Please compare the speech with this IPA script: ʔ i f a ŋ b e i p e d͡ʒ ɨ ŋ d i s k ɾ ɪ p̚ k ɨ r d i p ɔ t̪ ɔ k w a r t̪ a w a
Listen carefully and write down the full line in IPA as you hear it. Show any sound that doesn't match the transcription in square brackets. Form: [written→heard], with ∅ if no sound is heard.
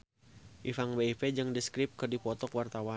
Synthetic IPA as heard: ʔ i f a ŋ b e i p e d͡ʒ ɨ ŋ d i s k ɾ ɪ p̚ k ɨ r d i p ɔ t̪ ɔ k w a r t̪ a w a